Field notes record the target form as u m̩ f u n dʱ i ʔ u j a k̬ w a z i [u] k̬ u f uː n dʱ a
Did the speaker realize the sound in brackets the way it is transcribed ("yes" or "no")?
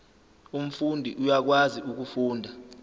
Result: yes